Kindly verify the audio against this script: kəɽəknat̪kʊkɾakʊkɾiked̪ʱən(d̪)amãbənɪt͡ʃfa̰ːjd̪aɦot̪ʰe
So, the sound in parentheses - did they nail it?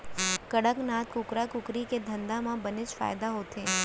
yes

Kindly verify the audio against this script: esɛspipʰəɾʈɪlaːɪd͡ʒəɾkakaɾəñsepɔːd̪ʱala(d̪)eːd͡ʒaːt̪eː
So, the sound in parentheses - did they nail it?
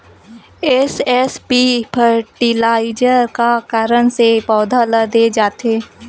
yes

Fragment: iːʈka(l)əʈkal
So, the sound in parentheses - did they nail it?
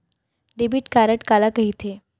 no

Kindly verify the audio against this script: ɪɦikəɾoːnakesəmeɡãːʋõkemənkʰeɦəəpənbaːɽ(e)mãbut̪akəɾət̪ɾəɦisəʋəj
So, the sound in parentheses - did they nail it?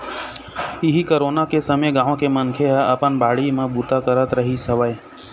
no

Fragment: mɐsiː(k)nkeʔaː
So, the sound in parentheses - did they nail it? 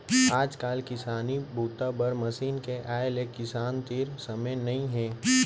no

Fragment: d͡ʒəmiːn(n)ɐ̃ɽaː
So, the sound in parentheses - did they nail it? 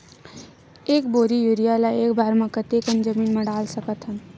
no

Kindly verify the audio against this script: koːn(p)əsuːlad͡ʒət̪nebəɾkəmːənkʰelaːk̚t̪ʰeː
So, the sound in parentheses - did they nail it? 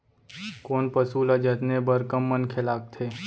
yes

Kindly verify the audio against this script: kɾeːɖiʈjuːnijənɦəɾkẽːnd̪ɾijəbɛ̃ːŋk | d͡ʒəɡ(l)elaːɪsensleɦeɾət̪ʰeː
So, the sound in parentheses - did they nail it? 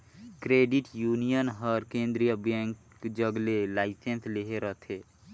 yes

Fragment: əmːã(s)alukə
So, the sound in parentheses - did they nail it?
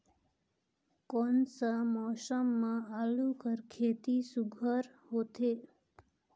no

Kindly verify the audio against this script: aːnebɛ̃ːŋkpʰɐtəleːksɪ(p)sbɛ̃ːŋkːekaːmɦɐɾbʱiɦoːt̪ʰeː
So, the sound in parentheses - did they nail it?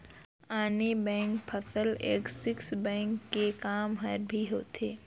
no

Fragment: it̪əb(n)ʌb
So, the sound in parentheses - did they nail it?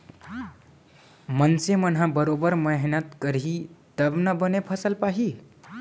yes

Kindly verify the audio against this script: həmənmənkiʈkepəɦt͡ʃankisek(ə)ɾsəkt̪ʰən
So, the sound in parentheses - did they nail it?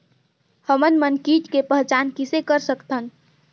yes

